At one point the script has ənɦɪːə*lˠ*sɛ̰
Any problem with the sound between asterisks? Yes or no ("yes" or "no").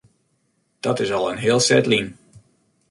no